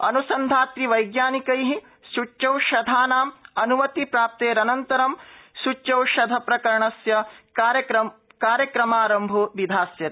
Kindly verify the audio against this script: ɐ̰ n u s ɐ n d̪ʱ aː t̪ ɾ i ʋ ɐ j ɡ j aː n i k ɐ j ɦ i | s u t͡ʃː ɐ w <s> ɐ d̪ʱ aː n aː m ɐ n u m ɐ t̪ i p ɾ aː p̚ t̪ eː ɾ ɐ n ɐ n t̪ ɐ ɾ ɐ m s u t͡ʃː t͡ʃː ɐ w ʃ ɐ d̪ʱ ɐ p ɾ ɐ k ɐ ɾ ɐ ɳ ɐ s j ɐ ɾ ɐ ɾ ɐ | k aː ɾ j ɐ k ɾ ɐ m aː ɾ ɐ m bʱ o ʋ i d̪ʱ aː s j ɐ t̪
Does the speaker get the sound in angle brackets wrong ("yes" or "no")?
yes